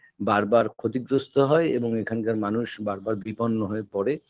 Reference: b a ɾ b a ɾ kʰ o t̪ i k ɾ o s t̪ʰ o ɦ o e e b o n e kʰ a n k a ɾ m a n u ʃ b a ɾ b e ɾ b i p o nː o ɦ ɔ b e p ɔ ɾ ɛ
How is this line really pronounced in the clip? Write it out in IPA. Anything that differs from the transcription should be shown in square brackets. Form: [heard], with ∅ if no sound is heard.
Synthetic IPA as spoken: b a ɾ b a ɾ kʰ o t̪ i [ɡ] ɾ o s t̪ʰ o ɦ [ɔ] e e b o [ŋ] e kʰ a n k a ɾ m a n u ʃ b a ɾ b [a] ɾ b i p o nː o ɦ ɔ [∅] e p ɔ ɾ [e]

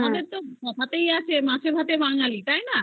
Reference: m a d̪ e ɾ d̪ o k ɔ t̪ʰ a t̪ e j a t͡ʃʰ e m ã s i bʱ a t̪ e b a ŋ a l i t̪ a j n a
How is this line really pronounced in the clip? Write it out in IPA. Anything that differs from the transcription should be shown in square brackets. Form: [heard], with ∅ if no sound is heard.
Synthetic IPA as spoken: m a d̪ e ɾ [t̪] o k ɔ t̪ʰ a t̪ e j a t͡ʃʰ e m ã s [e] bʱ a t̪ e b a ŋ a l i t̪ a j n a

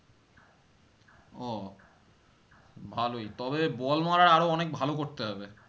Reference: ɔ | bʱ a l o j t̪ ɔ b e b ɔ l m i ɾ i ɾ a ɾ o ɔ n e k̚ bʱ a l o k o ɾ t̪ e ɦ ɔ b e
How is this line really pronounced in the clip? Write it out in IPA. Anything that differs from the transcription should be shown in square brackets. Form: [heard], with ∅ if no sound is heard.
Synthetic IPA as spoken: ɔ | bʱ a l o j t̪ ɔ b e b ɔ l m [a] ɾ [a] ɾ a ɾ o ɔ n e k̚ bʱ a l o k o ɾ t̪ e ɦ ɔ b e

